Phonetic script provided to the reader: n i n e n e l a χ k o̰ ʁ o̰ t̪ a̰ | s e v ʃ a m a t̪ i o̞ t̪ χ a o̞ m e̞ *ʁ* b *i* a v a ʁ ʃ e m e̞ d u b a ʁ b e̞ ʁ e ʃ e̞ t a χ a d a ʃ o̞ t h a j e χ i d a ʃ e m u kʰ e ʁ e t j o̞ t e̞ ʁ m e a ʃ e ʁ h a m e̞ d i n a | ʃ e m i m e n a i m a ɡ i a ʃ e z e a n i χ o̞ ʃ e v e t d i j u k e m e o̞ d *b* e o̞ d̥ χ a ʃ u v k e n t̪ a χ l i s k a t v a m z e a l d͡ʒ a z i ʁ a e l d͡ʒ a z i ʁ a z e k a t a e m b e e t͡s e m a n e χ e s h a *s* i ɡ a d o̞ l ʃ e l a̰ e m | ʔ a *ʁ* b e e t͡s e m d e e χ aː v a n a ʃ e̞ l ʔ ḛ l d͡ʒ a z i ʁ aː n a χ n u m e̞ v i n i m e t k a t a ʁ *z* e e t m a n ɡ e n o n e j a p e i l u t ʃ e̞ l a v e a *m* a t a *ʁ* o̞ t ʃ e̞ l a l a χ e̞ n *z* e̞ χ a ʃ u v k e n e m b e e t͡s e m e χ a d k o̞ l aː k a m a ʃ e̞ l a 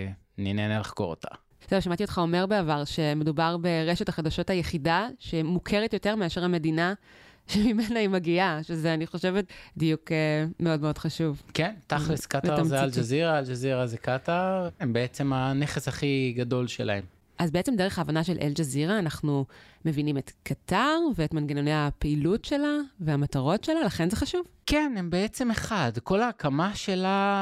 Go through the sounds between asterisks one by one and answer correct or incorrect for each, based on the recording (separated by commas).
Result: correct, incorrect, incorrect, incorrect, incorrect, incorrect, correct, correct, correct